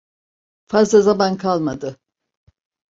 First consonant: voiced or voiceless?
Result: voiceless